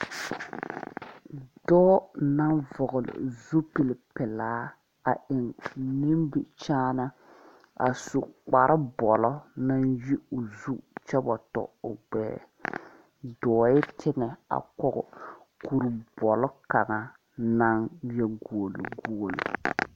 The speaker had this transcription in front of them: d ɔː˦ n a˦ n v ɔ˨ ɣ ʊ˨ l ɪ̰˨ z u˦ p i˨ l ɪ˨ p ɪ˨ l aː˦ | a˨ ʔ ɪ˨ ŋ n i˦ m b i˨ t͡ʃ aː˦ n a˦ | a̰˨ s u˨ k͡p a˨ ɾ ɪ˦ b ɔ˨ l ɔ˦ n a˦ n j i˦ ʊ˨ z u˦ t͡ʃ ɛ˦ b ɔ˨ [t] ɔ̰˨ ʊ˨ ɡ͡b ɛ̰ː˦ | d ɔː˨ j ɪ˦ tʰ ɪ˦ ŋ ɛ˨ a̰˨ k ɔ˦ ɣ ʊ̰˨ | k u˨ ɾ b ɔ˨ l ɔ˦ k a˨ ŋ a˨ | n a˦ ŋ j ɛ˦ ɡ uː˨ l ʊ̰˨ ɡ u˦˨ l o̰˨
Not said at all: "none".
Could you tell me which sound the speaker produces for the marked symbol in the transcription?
t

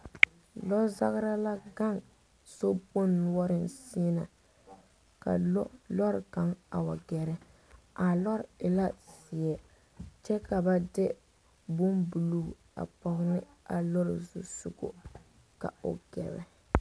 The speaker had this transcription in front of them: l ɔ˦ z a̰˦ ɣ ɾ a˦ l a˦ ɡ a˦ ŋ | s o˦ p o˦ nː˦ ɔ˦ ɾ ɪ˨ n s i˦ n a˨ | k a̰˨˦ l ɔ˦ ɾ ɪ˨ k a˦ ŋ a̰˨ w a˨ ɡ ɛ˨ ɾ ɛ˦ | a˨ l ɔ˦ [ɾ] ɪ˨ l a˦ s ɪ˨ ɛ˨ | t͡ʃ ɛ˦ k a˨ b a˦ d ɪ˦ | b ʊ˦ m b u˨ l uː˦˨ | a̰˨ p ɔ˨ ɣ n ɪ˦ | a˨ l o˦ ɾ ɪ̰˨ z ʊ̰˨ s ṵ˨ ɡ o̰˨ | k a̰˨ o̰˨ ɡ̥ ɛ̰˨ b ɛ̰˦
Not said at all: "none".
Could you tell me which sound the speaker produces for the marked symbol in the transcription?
ɾ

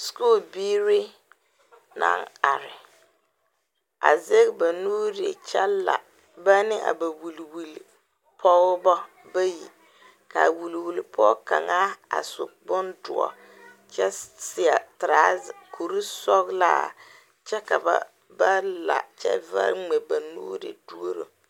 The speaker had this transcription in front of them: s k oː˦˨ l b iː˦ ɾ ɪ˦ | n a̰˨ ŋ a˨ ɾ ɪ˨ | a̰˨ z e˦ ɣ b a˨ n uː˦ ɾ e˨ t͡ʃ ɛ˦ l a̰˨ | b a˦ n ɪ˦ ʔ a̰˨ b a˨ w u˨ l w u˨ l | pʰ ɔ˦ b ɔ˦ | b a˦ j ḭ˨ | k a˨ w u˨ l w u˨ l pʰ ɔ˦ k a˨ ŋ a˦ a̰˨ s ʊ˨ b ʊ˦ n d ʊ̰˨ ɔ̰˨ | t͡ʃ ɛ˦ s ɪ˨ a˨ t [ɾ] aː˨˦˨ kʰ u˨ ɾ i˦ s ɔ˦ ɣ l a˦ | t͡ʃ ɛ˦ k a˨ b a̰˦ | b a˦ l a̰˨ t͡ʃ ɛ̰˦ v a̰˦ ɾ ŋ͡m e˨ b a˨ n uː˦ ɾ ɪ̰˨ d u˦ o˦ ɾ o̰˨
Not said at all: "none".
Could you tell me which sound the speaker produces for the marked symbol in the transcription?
ɾ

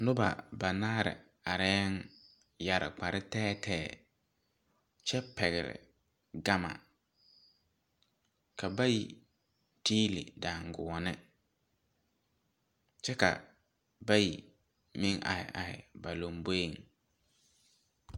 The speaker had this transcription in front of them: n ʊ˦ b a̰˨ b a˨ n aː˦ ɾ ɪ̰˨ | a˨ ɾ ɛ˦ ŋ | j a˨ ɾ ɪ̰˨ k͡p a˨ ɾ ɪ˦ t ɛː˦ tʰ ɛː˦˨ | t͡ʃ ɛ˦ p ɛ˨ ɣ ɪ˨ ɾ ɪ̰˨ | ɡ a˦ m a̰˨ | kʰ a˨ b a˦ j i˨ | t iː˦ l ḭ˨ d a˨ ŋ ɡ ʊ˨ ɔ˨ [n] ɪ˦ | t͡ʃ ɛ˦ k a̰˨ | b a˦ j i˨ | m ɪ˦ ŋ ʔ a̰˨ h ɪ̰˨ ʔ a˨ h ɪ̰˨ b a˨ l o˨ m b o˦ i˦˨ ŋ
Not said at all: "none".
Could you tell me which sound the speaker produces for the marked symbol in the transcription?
n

